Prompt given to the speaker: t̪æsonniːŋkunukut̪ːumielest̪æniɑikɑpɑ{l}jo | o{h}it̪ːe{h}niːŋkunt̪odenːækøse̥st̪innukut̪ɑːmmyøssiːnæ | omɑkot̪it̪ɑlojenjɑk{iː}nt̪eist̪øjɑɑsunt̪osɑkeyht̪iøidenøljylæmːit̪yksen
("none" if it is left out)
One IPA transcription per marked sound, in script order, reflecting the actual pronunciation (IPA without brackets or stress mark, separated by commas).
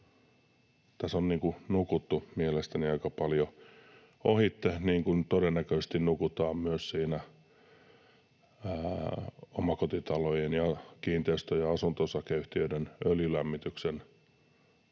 l, h, h, iː